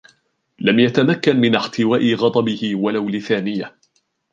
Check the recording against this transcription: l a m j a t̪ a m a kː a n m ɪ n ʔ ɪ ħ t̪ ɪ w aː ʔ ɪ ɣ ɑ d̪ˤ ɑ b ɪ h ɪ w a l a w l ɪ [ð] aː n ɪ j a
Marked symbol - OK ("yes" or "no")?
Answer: no